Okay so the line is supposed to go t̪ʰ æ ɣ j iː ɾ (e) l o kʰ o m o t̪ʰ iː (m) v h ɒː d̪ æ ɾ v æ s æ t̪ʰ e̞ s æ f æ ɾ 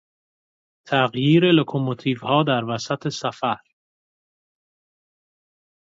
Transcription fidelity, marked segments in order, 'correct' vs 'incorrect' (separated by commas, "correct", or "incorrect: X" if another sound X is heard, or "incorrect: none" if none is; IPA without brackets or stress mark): correct, incorrect: none